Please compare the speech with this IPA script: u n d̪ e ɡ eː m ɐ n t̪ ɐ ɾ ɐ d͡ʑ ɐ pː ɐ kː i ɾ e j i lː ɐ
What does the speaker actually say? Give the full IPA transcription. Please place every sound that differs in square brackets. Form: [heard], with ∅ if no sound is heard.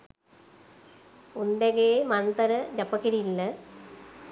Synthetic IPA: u n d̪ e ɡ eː m ɐ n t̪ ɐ ɾ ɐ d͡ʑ ɐ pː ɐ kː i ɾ [i] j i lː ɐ